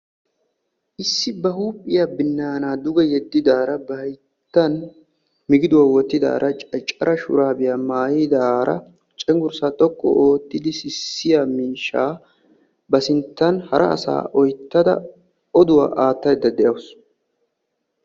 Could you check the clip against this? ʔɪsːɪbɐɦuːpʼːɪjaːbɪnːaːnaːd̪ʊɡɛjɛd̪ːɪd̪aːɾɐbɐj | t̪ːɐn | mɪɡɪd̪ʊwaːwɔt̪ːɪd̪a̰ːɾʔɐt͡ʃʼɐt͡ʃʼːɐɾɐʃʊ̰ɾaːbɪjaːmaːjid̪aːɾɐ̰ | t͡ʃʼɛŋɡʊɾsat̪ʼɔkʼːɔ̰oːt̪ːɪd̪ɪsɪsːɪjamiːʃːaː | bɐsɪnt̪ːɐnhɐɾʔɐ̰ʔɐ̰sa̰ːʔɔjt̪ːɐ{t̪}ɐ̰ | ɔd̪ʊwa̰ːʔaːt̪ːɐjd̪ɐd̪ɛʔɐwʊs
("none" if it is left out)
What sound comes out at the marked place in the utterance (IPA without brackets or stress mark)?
d̪